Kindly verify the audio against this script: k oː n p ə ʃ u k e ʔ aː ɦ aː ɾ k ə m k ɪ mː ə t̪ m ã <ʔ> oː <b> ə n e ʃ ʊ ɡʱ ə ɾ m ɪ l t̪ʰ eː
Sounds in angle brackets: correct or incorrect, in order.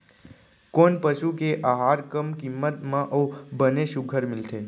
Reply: correct, correct

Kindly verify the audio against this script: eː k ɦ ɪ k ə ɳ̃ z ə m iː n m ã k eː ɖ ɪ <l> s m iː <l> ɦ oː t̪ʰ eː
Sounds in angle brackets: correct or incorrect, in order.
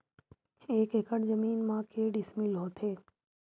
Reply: incorrect, correct

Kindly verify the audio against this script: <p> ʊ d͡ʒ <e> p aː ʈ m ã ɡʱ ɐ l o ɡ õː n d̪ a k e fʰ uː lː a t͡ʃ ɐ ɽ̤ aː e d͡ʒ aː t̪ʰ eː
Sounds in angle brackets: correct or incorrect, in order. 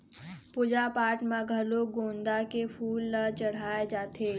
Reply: correct, incorrect

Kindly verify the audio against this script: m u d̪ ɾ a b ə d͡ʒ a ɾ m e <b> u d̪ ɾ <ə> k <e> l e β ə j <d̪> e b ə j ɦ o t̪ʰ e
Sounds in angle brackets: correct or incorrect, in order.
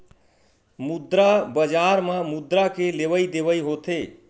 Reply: incorrect, incorrect, correct, correct

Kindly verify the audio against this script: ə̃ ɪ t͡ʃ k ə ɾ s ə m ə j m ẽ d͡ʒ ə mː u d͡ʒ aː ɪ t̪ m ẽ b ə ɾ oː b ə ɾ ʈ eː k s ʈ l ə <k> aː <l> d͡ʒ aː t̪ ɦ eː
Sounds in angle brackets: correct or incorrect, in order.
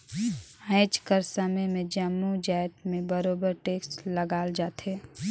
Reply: incorrect, correct

